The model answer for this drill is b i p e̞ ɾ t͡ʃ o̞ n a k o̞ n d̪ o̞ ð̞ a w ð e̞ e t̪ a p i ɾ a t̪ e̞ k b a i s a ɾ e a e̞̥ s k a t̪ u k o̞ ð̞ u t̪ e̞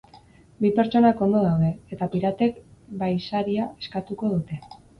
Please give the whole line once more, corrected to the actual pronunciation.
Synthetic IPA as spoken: b i p e̞ ɾ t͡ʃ o̞ n a k o̞ n d̪ o̞ ð̞ a w ð e̞ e t̪ a p i ɾ a t̪ e̞ k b a j s a ɾ i a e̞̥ s k a t̪ u k o̞ ð̞ u t̪ e̞